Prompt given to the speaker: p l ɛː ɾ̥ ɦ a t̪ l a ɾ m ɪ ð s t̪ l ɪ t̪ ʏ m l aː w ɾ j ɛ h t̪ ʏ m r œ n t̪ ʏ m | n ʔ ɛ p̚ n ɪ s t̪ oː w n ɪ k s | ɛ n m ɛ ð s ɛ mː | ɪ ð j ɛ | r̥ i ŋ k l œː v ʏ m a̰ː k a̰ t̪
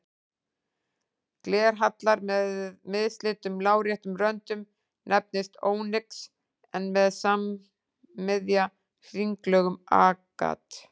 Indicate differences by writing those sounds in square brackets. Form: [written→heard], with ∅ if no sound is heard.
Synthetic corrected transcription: [p→k] l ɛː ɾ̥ ɦ a t̪ l a ɾ m ɪ ð s t̪ l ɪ t̪ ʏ m l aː w ɾ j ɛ h t̪ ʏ m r œ n t̪ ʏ m | n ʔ ɛ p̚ n ɪ s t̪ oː w n ɪ k s | ɛ n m ɛ ð s [ɛ→a] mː | ɪ ð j [ɛ→a] | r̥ i ŋ k l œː [v→ɣ] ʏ m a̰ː k a̰ t̪